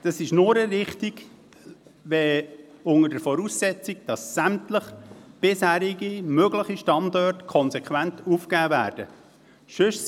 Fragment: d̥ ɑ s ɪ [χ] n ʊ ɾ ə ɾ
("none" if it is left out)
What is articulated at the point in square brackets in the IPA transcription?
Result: ʃ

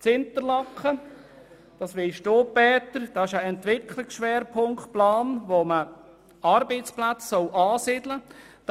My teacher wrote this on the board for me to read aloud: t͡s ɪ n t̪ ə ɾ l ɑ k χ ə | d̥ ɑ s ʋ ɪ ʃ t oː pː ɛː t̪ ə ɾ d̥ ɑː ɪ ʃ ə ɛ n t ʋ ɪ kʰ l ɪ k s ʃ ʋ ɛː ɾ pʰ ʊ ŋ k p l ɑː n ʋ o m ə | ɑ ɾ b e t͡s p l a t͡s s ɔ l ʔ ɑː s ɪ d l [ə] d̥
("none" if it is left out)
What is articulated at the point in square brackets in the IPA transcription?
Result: ə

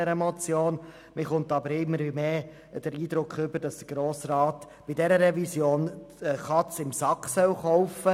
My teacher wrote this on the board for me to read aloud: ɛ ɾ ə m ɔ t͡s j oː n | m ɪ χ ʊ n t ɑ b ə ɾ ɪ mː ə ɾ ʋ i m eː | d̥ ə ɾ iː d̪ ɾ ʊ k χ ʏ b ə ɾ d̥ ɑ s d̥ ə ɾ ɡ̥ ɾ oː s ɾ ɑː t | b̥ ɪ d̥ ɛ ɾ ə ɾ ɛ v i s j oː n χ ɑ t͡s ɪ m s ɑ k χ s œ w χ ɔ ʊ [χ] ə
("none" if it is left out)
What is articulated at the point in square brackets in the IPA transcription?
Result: f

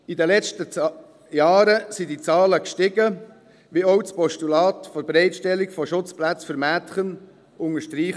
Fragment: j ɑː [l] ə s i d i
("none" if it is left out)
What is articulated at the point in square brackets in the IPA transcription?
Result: ɾ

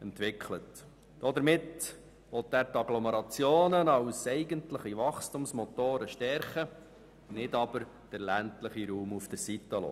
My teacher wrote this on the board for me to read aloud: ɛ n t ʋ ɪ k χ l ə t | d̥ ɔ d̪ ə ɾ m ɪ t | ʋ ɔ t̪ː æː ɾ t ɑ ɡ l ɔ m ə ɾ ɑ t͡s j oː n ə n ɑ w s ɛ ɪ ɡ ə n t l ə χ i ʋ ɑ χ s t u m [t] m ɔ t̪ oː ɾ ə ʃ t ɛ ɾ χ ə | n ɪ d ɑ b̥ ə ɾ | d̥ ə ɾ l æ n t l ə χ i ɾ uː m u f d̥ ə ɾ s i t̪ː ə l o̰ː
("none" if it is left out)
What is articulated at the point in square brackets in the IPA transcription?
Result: s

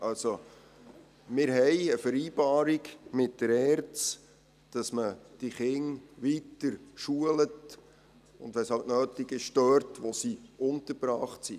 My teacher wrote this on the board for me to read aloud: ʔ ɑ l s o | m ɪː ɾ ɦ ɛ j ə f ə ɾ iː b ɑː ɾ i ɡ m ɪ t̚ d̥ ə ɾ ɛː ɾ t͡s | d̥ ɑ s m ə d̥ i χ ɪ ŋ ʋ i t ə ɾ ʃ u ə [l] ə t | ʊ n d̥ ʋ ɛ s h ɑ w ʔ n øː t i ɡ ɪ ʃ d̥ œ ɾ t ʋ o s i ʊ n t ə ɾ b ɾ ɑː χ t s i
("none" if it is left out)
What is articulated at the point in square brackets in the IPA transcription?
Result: l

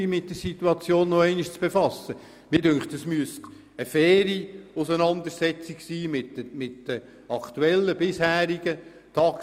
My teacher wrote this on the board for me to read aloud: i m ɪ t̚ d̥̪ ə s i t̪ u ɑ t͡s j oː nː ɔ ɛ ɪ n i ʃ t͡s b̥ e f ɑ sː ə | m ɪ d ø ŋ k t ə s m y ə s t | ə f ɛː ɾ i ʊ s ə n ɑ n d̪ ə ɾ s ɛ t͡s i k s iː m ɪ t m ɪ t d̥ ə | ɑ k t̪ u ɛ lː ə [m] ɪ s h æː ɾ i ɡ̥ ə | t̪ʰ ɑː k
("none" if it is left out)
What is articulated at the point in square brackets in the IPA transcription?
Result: b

